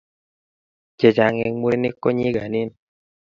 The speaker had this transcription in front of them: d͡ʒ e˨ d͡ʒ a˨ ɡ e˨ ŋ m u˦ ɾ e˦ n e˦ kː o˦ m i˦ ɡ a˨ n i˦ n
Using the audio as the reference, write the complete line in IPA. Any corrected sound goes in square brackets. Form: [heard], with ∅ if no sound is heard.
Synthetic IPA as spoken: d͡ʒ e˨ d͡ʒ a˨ [ŋ] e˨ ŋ m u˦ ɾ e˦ n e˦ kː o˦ [ɲ] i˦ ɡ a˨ n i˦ n